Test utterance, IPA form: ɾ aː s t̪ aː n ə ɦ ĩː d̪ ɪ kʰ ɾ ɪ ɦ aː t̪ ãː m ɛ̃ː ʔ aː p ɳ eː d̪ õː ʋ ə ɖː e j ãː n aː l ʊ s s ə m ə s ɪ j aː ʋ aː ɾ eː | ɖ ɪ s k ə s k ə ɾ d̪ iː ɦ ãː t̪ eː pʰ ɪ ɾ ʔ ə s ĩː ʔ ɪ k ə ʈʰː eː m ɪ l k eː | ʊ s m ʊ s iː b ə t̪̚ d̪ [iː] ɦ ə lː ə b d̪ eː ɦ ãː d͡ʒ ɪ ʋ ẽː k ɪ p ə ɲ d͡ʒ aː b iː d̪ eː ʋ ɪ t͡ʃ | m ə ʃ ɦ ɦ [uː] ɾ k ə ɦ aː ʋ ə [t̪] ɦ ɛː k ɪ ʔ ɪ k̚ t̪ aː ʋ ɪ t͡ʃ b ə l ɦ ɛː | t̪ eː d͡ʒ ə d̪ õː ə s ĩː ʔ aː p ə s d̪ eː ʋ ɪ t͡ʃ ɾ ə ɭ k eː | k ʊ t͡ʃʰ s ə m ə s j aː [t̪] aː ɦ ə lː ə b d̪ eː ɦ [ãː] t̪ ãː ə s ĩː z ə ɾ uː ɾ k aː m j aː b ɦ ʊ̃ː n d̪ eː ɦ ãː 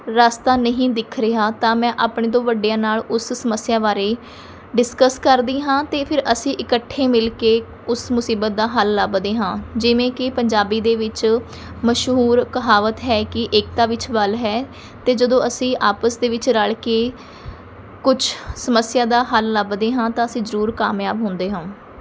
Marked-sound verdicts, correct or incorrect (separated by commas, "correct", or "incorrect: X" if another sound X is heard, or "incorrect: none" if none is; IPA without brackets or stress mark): incorrect: aː, correct, correct, incorrect: d̪, correct